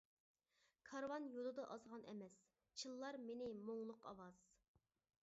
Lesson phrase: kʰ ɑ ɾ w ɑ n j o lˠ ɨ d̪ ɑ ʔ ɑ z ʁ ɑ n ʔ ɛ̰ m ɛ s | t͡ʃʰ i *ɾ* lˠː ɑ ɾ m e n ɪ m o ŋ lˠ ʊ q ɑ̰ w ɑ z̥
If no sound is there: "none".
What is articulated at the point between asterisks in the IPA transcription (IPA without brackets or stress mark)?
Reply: none